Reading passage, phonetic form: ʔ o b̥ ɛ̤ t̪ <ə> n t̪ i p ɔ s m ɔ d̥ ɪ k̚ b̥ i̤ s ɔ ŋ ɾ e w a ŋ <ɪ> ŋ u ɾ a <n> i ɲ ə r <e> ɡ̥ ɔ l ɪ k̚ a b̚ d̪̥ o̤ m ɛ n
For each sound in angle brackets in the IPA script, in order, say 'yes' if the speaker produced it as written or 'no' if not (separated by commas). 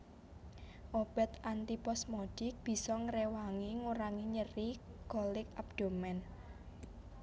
no, no, no, no